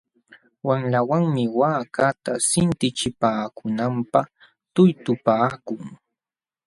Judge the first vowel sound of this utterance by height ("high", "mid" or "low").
low